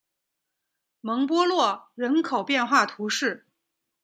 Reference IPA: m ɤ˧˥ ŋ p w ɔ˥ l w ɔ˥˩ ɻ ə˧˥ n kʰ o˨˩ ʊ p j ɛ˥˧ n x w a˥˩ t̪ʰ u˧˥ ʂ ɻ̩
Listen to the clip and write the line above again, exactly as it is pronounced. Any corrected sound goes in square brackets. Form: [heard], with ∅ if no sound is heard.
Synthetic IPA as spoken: m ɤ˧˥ ŋ p w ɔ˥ l w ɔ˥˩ ɻ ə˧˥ n kʰ o˨˩ ʊ p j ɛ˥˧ n x w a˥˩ t̪ʰ u˧˥ ʂ ɻ̩